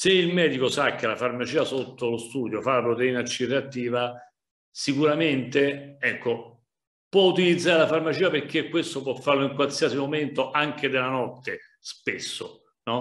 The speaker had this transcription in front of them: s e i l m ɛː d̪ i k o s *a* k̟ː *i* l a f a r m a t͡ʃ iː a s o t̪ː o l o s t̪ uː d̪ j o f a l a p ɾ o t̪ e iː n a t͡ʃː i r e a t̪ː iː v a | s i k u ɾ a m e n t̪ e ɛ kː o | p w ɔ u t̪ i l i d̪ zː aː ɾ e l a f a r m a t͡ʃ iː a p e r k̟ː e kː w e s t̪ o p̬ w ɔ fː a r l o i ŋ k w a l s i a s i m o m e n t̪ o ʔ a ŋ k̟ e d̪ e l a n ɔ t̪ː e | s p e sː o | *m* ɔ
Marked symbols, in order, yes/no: yes, no, no

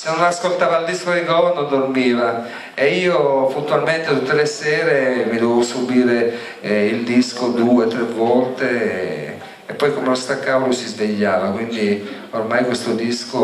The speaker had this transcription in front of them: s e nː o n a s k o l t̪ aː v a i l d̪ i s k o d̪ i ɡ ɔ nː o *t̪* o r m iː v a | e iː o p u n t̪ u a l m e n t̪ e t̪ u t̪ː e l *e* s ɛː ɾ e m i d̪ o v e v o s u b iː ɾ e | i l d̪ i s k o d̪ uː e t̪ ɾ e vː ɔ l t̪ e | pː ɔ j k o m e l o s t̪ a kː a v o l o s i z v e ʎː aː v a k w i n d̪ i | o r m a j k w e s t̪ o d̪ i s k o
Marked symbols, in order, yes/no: no, yes

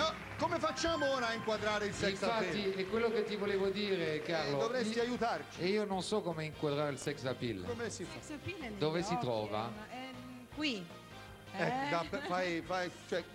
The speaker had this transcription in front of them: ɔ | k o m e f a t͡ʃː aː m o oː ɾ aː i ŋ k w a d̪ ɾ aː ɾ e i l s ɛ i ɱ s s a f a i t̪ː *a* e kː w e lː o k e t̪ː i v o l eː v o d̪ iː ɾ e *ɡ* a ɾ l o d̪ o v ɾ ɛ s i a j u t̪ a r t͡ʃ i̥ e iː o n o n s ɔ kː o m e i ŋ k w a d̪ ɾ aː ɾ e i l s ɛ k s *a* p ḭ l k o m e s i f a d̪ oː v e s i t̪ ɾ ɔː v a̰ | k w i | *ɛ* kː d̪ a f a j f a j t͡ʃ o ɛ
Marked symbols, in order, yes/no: no, no, yes, yes

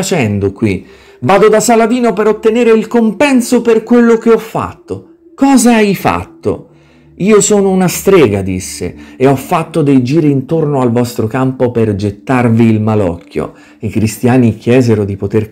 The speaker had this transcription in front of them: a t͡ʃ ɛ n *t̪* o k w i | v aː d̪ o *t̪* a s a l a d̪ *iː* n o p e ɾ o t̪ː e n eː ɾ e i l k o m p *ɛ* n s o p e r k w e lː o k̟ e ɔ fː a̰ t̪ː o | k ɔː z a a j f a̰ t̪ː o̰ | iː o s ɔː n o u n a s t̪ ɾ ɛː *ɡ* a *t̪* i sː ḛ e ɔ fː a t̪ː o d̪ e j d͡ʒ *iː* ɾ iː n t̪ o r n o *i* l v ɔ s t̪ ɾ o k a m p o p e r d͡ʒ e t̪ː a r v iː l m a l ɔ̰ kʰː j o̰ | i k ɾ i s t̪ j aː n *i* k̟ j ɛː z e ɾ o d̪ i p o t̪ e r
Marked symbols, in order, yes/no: no, no, yes, yes, yes, no, yes, no, yes

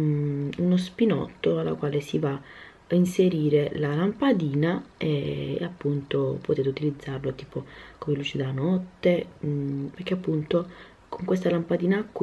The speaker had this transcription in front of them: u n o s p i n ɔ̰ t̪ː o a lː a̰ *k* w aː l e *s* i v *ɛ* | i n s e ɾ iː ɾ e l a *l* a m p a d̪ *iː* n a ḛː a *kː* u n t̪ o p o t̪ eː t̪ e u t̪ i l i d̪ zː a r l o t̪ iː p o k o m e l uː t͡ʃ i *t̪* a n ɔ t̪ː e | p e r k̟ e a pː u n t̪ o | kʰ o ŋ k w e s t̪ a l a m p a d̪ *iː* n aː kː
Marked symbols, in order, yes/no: yes, yes, no, yes, yes, no, no, yes

